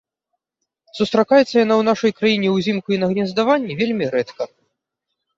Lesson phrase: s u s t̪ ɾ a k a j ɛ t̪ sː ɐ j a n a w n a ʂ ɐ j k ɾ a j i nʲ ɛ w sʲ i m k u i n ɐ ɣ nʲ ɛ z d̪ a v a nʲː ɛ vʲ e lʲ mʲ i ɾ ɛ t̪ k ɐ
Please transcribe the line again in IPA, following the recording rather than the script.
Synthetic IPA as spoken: s u s t̪ ɾ a k a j ɛ t̪ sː ɐ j a n a w n a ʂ ɐ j k ɾ a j i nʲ ɛ w zʲ i m k u i n ɐ ɣ nʲ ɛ z d̪ a v a nʲː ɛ vʲ e lʲ mʲ i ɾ ɛ t̪ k ɐ